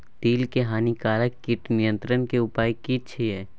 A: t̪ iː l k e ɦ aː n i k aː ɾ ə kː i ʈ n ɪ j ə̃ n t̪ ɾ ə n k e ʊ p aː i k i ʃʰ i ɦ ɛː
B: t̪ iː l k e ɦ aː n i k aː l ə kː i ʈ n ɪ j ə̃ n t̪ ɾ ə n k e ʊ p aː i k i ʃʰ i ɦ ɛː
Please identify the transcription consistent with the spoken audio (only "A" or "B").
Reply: B